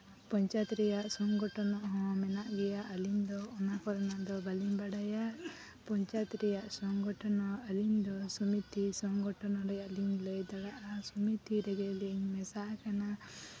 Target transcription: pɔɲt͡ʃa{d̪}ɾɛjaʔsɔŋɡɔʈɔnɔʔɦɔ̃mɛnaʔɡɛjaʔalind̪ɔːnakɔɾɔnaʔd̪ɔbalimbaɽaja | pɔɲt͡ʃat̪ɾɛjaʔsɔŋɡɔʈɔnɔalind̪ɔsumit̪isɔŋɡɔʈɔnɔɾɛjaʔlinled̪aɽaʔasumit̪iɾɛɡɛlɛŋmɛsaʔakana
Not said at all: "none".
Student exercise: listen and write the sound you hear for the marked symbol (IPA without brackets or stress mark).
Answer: t̪